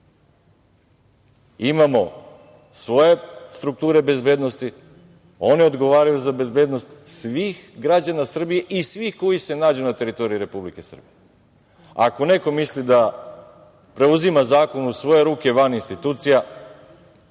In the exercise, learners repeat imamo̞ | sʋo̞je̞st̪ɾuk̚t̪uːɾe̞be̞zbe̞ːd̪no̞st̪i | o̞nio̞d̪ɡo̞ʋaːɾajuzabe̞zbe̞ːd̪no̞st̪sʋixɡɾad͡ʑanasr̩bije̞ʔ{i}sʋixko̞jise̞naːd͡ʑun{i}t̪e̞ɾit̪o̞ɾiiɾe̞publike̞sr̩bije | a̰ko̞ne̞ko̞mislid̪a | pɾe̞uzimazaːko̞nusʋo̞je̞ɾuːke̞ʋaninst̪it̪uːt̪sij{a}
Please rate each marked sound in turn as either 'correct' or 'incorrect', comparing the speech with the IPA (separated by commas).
correct, incorrect, correct